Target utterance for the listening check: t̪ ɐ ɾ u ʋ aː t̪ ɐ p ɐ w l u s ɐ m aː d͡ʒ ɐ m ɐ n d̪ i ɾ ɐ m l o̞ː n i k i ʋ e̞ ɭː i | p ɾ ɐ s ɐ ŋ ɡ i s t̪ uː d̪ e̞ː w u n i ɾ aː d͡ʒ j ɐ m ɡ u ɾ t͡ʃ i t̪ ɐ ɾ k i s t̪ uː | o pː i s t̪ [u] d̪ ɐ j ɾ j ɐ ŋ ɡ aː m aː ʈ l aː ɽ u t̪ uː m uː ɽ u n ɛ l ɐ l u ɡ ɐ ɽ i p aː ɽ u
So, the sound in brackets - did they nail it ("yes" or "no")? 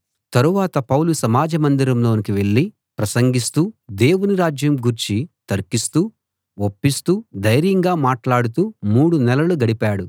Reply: no